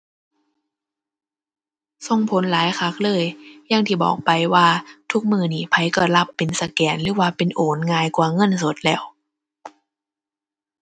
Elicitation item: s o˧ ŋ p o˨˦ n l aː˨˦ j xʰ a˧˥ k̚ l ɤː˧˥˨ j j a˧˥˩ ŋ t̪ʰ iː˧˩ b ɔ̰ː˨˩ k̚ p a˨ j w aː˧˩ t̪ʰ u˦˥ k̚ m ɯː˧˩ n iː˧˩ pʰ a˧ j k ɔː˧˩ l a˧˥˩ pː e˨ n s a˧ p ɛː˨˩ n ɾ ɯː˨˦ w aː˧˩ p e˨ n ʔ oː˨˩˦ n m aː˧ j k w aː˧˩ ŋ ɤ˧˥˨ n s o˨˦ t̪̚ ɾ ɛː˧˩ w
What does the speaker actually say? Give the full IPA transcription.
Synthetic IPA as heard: s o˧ ŋ pʰ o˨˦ n l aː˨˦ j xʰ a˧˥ k̚ l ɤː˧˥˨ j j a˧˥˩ ŋ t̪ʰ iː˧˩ b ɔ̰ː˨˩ k̚ p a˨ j w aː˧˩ t̪ʰ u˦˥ k̚ m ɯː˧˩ n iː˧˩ pʰ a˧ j k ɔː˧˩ l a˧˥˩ pː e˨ n s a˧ k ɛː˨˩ n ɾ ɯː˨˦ w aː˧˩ p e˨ n ʔ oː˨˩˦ n ŋ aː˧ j k w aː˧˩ ŋ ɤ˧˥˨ n s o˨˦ t̪̚ l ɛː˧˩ w

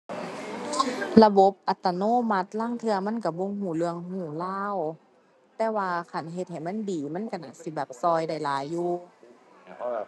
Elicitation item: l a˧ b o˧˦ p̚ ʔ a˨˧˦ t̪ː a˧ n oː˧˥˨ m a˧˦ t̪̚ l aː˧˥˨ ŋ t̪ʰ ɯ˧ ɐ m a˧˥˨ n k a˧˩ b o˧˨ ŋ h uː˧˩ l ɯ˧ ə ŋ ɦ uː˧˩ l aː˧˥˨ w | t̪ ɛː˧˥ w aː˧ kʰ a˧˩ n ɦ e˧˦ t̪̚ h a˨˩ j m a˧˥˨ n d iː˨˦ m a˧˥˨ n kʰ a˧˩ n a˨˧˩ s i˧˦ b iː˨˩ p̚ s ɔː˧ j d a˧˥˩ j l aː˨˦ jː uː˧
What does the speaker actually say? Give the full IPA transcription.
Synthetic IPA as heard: l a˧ b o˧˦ p̚ ʔ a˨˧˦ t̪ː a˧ n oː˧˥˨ m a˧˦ t̪̚ l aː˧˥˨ ŋ t̪ʰ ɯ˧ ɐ m a˧˥˨ n k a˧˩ b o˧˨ ŋ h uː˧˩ l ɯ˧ ə ŋ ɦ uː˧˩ l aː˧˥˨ w | t̪ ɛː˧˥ w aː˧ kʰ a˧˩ n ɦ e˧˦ t̪̚ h a˨˩ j m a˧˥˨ n d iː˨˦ m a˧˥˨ n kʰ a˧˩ n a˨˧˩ s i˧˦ b ɛː˨˩ p̚ s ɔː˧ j d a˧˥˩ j l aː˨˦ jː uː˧

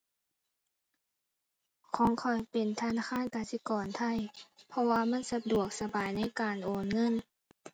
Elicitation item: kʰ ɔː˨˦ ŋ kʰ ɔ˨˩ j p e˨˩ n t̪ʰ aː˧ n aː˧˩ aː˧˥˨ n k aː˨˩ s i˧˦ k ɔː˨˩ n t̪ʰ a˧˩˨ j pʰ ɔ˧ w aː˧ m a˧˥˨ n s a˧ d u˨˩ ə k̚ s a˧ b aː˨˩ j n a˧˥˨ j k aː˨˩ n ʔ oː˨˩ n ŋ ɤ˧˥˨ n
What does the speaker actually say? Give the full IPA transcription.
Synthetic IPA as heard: kʰ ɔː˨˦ ŋ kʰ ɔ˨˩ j p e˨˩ n t̪ʰ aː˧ n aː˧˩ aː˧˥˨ n k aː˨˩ s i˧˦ k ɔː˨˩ n t̪ʰ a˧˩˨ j pʰ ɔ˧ w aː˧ m a˧˥˨ n s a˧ d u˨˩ ə k̚ s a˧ b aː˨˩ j n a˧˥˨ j k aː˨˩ n ʔ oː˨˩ n ŋ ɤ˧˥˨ n

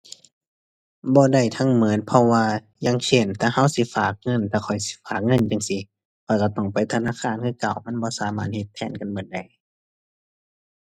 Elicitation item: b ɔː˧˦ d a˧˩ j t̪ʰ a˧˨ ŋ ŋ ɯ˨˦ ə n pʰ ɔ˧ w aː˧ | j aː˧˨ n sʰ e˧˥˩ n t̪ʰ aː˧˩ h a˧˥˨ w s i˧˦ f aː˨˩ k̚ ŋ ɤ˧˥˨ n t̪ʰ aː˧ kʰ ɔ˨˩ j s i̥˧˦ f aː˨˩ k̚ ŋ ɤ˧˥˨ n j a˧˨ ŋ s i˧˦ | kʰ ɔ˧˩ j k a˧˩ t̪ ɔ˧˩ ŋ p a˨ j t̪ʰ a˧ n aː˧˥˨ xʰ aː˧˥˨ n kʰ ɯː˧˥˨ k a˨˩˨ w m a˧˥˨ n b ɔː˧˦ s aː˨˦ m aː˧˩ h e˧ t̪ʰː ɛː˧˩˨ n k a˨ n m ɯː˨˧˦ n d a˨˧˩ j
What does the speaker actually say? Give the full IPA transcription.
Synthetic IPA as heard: b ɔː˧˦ d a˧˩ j t̪ʰ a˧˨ ŋ m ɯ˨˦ ə n pʰ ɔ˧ w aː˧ | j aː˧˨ ŋ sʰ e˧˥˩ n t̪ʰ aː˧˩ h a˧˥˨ w s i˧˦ f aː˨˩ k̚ ŋ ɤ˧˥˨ n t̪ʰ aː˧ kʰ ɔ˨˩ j s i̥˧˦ f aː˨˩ k̚ ŋ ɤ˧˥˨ n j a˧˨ ŋ s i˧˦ | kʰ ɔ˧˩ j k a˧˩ t̪ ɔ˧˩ ŋ p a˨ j t̪ʰ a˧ n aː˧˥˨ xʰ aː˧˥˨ n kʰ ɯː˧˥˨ k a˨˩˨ w m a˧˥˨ n b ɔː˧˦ s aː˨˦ m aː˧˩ h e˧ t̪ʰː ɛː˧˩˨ n k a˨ n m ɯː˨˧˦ n d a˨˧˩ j

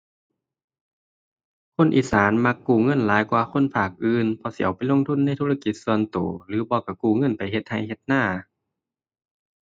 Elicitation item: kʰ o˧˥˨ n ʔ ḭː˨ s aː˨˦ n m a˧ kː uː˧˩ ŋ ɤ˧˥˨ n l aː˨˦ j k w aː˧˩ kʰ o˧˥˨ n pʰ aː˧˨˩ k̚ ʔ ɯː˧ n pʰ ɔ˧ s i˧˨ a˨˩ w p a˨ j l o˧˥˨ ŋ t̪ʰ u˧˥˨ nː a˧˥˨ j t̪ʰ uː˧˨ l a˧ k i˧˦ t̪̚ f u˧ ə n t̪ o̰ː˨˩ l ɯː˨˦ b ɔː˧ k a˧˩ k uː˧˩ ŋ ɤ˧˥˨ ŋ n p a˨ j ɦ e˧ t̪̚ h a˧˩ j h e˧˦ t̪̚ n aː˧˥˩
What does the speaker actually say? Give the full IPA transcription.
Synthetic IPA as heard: kʰ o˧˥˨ n ʔ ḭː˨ s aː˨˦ n m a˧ kː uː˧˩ ŋ ɤ˧˥˨ n l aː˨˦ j k w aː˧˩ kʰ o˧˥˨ n pʰ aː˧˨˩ k̚ ʔ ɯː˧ n pʰ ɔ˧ s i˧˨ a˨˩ w p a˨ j l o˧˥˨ ŋ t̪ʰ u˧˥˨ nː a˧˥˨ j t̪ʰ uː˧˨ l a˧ k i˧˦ t̪̚ s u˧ ə n t̪ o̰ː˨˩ l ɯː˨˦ b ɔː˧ k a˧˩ k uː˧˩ ŋ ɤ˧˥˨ n p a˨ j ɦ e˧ t̪̚ h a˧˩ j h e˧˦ t̪̚ n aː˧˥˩

